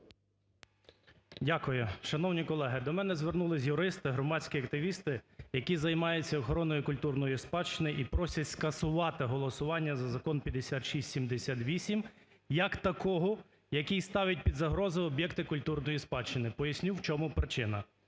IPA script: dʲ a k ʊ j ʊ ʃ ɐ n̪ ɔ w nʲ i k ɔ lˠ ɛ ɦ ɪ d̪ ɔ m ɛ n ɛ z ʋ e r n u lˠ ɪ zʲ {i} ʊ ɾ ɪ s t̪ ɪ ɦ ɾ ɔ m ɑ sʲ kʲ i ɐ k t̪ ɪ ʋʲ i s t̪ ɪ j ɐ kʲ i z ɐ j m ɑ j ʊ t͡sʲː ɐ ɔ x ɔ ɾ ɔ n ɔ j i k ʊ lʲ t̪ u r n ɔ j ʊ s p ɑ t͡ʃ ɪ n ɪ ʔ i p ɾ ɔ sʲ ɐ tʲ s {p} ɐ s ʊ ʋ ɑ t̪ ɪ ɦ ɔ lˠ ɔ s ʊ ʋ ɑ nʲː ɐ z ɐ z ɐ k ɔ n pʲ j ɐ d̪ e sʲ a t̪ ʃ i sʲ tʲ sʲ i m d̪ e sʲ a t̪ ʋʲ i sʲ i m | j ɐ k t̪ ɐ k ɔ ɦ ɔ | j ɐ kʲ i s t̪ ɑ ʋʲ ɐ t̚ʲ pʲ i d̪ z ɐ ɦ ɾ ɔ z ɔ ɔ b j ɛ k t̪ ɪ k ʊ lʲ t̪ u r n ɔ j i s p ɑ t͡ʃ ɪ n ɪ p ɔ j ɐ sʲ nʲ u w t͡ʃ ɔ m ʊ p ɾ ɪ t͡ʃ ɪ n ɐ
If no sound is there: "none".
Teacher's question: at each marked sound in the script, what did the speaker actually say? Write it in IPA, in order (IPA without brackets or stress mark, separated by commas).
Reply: j, k